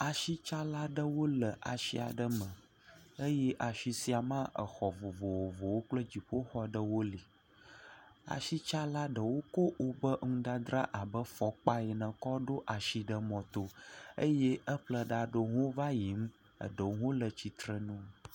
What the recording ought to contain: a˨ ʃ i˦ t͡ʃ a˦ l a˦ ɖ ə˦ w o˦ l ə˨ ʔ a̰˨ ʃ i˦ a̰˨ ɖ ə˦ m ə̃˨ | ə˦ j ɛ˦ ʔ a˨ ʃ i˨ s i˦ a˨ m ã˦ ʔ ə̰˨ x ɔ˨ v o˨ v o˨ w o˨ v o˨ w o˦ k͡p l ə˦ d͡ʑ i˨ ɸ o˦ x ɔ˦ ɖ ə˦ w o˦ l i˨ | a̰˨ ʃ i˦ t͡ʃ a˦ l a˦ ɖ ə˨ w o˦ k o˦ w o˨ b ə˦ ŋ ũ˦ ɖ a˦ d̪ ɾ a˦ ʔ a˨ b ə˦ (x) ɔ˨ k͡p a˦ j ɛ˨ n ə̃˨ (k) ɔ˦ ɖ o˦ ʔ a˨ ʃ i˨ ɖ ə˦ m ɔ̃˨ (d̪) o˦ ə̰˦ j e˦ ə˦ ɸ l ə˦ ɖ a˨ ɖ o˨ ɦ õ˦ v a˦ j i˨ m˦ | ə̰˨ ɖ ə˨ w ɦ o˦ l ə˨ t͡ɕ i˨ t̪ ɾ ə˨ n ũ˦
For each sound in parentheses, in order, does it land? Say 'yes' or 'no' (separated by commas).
no, yes, no